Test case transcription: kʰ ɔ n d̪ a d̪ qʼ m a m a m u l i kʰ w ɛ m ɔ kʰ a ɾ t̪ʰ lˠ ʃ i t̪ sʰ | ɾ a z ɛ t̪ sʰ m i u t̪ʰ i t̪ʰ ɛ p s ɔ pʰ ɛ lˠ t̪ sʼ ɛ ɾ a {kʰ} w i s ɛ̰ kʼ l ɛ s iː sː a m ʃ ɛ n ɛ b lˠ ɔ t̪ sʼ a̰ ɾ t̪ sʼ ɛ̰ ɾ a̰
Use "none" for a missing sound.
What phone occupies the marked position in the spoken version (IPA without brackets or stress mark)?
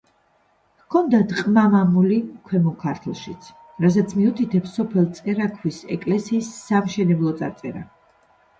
kʰ